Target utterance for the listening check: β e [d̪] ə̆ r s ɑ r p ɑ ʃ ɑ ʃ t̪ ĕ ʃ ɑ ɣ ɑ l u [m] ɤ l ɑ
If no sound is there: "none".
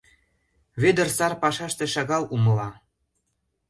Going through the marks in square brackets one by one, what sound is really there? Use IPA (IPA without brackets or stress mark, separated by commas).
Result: d̪, m